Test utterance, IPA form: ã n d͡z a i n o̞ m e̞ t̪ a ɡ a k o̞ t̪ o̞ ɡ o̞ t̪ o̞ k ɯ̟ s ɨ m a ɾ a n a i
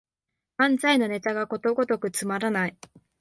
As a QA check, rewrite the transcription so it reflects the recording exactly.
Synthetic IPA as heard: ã n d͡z a i n o̞ n e̞ t̪ a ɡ a k o̞ t̪ o̞ ɡ o̞ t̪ o̞ k ɯ̟ t͡s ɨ m a ɾ a n a i

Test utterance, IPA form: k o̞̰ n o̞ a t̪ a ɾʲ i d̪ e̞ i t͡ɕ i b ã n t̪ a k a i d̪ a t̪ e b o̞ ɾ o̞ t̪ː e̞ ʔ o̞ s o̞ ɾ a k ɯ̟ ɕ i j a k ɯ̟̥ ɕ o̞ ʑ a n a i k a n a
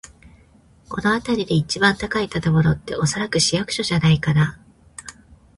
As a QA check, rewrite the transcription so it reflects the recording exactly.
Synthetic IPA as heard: k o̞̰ n o̞ a t̪ a ɾʲ i d̪ e̞ i t͡ɕ i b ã n t̪ a k a i t̪ a t̪ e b o̞ ɾ o̞ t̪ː e̞ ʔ o̞ s o̞ ɾ a k ɯ̟ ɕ i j a k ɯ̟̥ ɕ o̞ ʑ a n a i k a n a

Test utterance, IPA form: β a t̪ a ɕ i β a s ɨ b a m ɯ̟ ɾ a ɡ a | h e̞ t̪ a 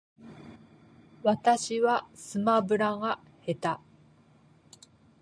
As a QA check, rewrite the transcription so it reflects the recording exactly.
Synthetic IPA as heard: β a t̪ a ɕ i β a s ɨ m a b ɯ̟ ɾ a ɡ a | h e̞ t̪ a

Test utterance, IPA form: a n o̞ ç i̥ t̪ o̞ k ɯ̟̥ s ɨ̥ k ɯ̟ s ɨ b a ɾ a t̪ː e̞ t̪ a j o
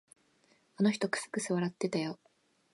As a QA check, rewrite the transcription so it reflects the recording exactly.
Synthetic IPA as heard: a n o̞ ç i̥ t̪ o̞ k ɯ̟̥ s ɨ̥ k ɯ̟ s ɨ β a ɾ a t̪ː e̞ t̪ a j o

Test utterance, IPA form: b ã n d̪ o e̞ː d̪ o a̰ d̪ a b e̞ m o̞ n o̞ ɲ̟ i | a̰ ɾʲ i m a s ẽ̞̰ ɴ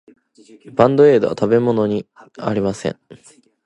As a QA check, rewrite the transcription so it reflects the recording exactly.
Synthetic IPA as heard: b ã n d̪ o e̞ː d̪ o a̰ t̪ a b e̞ m o̞ n o̞ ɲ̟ i | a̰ ɾʲ i m a s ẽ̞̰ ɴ

